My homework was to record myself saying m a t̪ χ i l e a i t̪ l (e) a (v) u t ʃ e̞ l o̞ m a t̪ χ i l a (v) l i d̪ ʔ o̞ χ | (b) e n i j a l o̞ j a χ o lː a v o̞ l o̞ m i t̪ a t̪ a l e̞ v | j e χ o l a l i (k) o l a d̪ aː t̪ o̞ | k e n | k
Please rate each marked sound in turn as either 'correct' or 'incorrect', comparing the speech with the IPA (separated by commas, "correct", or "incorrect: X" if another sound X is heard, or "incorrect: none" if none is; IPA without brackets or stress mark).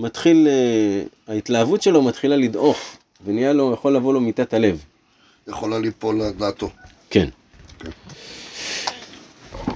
incorrect: a, correct, incorrect: none, incorrect: v, incorrect: p